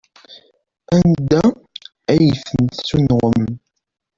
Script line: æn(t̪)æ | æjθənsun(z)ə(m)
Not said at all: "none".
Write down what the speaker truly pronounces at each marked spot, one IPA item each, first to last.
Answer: d̪, ʁ, m

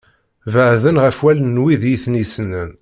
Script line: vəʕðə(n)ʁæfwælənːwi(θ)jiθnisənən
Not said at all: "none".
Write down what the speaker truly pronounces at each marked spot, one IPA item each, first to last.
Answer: n, ð

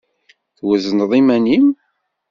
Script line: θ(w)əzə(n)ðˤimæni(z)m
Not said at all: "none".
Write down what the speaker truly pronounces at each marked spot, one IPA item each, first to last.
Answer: w, n, none

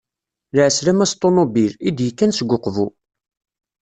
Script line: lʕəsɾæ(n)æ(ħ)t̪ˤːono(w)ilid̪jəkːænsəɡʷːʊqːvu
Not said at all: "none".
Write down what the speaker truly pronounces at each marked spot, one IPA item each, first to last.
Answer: m, s, b

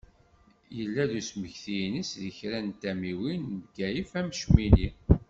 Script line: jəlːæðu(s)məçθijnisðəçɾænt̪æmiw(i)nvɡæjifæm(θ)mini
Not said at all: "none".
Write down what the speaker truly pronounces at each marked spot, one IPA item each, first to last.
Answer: s, i, ʃ

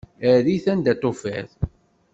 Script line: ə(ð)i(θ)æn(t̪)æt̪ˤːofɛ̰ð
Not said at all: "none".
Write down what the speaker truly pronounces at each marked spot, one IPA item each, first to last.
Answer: ð, θ, d̪

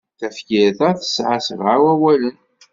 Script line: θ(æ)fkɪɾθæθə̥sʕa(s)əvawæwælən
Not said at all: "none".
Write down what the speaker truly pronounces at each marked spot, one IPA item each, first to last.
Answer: æ, s

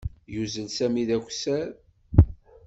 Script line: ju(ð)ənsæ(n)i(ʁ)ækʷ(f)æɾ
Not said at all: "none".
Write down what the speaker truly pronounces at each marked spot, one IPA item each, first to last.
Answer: z, m, ð, s

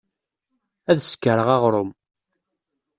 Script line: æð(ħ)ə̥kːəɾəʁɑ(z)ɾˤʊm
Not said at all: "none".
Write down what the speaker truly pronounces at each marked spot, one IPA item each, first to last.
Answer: s, ʁ

